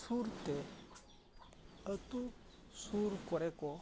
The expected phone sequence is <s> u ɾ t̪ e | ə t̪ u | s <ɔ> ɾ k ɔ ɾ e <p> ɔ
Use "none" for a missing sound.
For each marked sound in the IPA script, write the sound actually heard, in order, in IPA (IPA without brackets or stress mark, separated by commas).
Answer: s, u, k